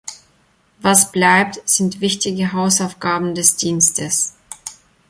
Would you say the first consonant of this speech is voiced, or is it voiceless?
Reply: voiced